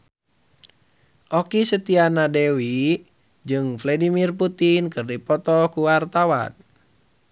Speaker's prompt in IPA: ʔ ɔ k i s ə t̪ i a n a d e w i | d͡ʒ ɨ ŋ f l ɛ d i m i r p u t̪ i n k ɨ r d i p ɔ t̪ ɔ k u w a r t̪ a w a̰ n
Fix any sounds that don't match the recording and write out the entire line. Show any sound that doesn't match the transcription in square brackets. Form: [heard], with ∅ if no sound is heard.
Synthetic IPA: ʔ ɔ k i s ə t̪ i a n a d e w i | d͡ʒ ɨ ŋ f l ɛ d i m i r p u t̪ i n k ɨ r d i p ɔ t̪ ɔ k u w a r t̪ a w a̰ n